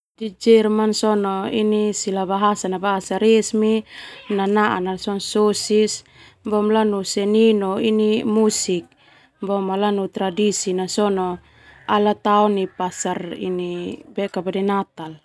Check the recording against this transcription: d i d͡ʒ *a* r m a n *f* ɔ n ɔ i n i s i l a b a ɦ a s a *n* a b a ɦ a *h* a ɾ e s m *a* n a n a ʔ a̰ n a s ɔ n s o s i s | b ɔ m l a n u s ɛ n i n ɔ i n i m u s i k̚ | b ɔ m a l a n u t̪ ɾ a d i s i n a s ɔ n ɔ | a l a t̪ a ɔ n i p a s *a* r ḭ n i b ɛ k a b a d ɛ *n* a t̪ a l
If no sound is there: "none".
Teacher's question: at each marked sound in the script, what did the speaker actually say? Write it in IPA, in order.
ɛ, s, n, s, i, a, n

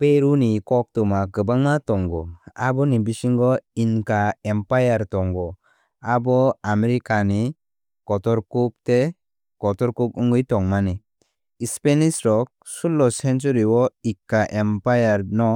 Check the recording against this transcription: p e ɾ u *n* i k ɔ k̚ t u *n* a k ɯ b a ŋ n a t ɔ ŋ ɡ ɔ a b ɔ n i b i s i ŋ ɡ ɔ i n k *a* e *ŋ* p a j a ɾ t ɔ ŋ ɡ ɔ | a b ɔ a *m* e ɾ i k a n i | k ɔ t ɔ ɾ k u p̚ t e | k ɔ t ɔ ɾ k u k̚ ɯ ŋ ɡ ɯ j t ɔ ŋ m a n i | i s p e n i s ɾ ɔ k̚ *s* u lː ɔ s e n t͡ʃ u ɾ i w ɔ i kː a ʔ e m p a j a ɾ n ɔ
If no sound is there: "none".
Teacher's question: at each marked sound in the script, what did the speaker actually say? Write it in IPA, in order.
n, m, a, m, m, s

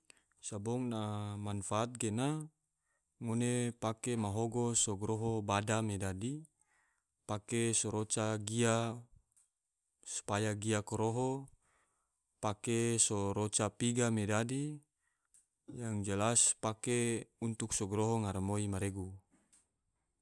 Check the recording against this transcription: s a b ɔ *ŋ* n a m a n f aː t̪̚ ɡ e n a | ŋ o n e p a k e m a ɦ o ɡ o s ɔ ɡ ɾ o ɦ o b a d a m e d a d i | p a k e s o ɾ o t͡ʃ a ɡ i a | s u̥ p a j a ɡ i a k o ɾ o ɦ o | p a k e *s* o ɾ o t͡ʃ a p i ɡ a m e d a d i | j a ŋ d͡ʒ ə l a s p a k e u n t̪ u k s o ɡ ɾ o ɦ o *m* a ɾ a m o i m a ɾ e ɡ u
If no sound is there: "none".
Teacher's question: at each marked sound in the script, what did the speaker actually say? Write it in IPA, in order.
ŋ, s, ŋ

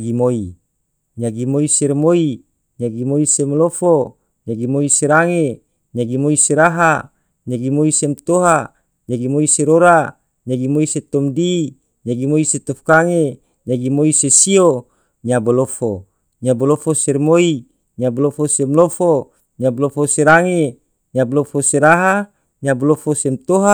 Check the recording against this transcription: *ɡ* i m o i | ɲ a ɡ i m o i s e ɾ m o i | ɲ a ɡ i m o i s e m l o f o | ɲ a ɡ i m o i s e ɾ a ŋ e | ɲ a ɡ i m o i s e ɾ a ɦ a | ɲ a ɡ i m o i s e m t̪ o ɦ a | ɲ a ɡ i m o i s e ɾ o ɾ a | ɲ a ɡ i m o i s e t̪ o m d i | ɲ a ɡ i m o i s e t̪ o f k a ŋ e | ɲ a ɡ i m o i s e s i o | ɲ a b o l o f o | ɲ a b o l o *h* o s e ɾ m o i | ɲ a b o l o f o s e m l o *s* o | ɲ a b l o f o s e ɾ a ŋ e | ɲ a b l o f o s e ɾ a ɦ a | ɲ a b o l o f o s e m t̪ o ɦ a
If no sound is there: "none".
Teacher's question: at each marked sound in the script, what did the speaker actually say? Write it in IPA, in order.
ɡ, f, f

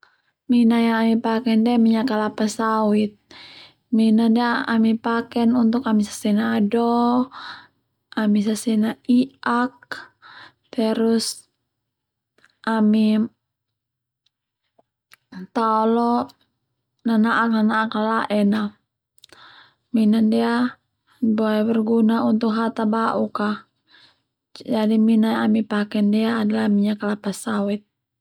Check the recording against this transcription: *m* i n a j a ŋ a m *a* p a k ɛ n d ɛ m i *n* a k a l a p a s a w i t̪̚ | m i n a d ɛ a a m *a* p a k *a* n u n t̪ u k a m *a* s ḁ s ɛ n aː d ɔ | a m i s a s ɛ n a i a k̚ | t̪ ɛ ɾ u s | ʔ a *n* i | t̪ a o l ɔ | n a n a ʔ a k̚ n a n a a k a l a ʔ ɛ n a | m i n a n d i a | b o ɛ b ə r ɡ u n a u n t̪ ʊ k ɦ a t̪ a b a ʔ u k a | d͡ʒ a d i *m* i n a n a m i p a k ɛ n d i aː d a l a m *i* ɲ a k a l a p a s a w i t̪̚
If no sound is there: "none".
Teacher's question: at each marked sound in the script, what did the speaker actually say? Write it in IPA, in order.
m, i, ɲ, i, ɛ, i, m, m, i

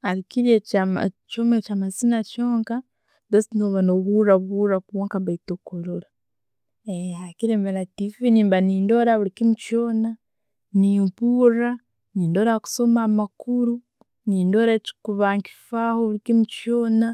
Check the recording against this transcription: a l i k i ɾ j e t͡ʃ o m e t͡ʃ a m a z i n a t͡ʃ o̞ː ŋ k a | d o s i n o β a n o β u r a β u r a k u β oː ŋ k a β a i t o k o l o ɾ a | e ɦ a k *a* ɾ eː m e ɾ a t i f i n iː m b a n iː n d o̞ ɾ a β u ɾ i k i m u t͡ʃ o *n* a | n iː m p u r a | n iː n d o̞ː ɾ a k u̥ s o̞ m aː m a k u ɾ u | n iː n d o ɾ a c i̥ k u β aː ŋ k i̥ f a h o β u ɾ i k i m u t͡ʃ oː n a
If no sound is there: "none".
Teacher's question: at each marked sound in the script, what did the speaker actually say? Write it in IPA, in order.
i, n

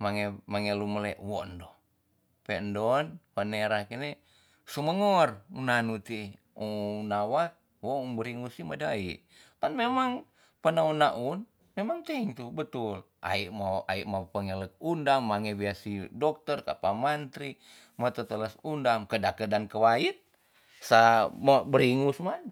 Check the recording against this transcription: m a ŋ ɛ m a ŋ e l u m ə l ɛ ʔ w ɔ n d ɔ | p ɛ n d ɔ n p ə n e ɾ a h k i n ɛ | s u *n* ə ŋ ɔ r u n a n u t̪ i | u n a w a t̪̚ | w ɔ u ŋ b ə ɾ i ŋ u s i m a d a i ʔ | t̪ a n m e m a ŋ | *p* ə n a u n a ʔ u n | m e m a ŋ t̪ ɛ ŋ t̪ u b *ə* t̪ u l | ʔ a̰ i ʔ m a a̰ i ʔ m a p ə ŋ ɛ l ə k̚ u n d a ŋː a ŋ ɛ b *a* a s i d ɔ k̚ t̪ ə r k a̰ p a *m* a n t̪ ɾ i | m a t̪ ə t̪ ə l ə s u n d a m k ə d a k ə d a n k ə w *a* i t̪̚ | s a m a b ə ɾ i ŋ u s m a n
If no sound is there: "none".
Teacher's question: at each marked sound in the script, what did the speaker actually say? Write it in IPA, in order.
m, p, ə, i, m, a

